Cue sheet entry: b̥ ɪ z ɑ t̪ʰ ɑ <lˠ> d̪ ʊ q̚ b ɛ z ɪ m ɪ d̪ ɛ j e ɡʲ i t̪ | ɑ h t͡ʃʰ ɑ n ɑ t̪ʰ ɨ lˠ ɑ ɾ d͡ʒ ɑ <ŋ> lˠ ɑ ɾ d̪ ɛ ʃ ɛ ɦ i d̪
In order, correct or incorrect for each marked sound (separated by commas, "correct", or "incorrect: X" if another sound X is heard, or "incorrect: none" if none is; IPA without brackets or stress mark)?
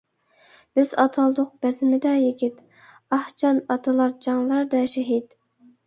correct, correct